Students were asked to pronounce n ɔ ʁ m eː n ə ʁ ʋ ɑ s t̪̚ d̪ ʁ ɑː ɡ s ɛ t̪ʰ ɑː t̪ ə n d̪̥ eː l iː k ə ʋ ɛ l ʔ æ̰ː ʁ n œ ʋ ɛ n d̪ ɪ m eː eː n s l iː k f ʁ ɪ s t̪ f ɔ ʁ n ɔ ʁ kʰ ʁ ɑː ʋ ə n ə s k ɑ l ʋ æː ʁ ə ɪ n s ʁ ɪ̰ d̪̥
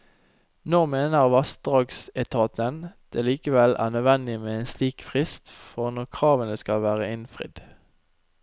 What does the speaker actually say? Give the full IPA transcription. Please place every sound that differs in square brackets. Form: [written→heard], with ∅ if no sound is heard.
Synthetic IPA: n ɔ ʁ m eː n ə ʁ ʋ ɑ s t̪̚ d̪ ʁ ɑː ɡ s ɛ t̪ʰ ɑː t̪ ə n d̪̥ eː l iː k ə ʋ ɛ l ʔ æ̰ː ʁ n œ ʋ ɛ n d̪ ɪ m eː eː n s l iː k f ʁ ɪ s t̪ f ɔ ʁ n ɔ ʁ kʰ ʁ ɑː ʋ ə n ə s k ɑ l ʋ æː ʁ ə ɪ n [s→f] ʁ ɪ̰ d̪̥